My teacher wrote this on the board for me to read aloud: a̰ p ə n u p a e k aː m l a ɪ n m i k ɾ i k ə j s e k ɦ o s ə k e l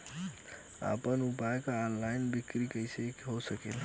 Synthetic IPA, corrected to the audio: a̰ p ə n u p a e k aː n l a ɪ n b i k ɾ i k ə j s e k ɦ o s ə k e l